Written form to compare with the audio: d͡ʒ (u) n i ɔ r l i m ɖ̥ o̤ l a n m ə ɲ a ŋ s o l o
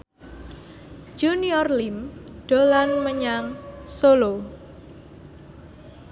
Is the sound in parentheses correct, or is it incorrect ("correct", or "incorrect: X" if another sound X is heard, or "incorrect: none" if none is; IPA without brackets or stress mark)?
correct